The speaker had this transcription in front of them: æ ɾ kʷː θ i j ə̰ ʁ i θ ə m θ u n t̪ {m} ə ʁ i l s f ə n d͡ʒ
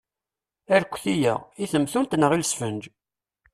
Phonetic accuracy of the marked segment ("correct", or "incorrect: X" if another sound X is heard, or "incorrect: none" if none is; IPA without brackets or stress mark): incorrect: n